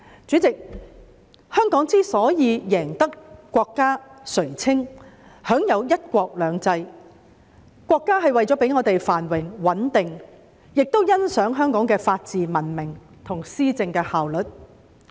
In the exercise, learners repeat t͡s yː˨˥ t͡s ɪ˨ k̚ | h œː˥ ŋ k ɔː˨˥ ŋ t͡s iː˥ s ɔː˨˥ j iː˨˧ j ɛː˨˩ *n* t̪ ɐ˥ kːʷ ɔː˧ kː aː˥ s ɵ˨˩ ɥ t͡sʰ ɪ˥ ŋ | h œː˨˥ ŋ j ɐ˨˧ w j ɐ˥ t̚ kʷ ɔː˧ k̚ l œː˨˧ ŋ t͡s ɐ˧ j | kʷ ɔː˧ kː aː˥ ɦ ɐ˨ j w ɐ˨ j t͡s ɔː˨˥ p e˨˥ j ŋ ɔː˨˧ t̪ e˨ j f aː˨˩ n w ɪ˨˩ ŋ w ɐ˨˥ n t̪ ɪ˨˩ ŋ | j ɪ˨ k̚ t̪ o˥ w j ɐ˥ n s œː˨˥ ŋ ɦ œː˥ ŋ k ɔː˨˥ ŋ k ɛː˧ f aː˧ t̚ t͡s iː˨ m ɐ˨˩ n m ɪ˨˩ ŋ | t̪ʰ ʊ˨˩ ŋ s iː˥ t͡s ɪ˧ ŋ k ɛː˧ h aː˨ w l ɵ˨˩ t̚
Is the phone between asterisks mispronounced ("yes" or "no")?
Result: yes